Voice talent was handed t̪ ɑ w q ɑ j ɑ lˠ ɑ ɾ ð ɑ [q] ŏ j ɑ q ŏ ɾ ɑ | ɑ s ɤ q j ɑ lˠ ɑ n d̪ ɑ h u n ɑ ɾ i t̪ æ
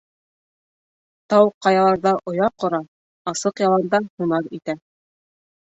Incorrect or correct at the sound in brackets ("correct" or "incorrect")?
incorrect